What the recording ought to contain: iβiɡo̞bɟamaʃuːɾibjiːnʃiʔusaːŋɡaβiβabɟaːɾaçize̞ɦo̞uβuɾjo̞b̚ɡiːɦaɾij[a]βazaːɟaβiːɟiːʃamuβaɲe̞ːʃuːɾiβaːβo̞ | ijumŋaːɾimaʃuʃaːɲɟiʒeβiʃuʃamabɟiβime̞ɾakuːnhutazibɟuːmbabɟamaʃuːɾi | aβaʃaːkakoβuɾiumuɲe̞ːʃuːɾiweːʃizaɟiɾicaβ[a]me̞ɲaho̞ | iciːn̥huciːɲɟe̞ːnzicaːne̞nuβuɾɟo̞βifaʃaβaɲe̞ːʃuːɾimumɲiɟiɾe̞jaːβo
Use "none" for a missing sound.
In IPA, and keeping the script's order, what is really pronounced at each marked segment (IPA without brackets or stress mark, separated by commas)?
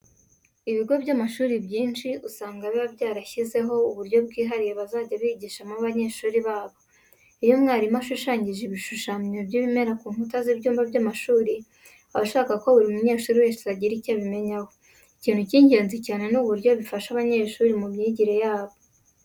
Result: e, i